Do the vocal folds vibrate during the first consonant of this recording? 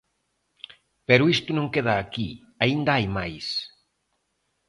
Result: no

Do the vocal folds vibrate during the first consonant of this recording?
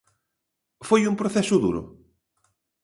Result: no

